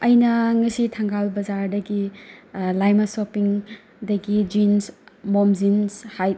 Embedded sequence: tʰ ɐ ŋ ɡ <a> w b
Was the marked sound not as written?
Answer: no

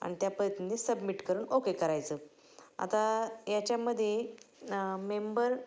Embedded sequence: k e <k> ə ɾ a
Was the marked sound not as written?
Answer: no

